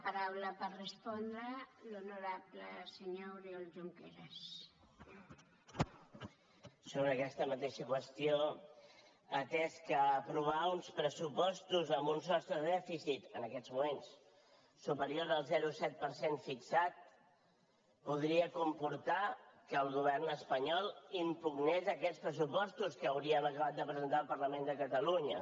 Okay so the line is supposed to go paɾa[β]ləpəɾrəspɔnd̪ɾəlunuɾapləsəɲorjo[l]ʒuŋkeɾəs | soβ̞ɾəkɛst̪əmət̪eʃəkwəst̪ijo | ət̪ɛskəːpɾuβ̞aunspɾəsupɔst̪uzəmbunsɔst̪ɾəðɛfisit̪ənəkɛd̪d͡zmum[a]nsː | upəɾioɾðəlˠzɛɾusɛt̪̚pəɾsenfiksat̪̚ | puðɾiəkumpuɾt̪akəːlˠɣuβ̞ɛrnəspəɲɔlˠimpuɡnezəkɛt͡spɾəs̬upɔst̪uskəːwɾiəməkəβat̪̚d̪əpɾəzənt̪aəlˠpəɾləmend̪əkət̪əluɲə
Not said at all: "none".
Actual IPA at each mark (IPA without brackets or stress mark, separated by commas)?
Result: w, l, e